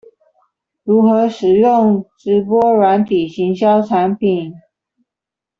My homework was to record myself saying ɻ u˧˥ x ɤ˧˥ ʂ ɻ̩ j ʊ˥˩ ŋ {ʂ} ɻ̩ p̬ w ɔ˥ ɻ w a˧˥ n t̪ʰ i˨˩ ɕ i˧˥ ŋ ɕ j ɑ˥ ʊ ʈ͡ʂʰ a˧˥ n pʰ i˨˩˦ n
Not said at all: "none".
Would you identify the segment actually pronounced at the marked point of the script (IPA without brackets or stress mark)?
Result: ʈ͡ʂ